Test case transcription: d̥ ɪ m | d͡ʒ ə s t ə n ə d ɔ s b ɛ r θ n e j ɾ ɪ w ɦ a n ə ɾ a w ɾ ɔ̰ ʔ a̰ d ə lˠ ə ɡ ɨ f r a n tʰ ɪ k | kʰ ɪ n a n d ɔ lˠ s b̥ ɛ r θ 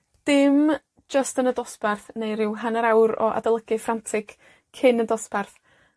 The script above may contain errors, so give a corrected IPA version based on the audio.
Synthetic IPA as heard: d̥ ɪ m | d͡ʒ ə s t ə n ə d ɔ s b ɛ r θ n e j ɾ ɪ w ɦ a n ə ɾ a w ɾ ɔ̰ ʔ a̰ d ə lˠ ə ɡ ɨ f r a n tʰ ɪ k | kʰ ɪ n ə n d ɔ s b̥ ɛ r θ